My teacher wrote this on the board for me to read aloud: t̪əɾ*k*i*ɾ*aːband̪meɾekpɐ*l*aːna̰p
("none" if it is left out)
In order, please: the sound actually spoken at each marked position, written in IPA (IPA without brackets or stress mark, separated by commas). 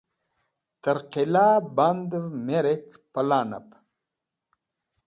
q, l, l